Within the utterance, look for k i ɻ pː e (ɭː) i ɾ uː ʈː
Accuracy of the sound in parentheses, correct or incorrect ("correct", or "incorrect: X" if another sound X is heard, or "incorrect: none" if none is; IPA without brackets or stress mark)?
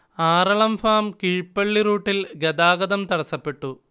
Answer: correct